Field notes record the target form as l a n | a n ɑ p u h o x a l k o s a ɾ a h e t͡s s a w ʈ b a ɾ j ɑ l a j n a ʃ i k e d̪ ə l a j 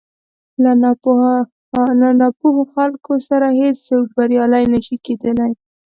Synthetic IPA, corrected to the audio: l a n | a n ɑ p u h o x a l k o s a ɾ a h e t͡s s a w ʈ b a ɾ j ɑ l a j n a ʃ i k e d̪ ə l a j